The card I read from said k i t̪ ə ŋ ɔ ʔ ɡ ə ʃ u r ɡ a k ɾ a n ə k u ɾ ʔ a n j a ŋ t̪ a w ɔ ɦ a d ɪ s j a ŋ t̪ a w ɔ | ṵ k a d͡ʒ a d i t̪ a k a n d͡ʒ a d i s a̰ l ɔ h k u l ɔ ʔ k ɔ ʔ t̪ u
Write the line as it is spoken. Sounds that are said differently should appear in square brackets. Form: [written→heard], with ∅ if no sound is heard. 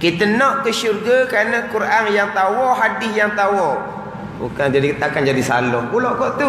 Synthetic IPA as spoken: k i t̪ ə [ŋ→n] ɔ ʔ [ɡ→k] ə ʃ u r ɡ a k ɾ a n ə k u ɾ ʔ a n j a ŋ t̪ a w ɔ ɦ a d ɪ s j a ŋ t̪ a w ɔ | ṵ k a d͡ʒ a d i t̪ a k a n d͡ʒ a d i s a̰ l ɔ h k u l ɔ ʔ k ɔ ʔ t̪ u